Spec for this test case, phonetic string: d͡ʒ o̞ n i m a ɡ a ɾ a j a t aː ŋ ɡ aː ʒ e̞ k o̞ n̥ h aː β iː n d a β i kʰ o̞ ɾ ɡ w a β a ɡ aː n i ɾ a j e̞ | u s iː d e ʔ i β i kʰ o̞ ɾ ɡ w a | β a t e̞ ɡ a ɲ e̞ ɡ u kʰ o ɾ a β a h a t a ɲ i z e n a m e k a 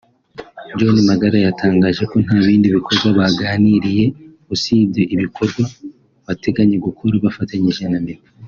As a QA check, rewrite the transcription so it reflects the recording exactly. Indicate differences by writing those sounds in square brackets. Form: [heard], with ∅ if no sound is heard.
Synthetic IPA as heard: d͡ʒ o̞ n i m a ɡ a ɾ a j a t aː ŋ ɡ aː ʒ e̞ k o̞ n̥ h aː β iː n d [i] β i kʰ o̞ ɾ ɡ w a β a ɡ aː n i ɾ [i] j e̞ | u s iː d e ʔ i β i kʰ o̞ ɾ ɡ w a | β a t e̞ ɡ a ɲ e̞ ɡ u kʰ o ɾ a β a [f] a t a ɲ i [ʒ] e n a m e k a